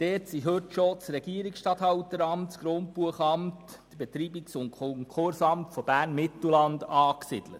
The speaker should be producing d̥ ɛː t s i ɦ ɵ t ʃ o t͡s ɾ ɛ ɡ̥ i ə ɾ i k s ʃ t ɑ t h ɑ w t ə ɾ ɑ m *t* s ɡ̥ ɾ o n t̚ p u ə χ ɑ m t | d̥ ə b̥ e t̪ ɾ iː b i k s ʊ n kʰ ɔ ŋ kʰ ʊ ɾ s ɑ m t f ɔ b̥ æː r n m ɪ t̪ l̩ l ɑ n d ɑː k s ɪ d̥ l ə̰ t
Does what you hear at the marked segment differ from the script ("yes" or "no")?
no